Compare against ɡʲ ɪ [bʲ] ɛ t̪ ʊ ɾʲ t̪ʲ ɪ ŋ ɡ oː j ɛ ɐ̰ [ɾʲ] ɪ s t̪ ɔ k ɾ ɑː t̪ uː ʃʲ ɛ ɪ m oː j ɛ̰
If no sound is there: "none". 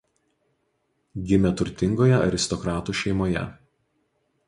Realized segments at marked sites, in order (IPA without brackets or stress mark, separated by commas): mʲ, ɾʲ